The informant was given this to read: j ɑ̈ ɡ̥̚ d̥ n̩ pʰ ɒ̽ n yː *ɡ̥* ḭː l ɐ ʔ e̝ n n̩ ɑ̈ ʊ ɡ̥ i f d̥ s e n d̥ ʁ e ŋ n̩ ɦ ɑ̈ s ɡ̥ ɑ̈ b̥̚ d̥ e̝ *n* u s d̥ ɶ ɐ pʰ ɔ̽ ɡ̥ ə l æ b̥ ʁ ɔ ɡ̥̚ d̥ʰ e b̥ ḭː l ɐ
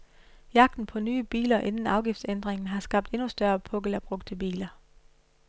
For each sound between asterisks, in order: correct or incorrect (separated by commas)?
incorrect, correct